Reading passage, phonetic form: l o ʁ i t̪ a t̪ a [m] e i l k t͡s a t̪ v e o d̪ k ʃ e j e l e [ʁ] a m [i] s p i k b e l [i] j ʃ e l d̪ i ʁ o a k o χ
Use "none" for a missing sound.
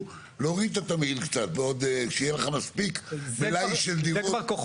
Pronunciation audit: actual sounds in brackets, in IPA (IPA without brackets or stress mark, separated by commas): m, χ, a, a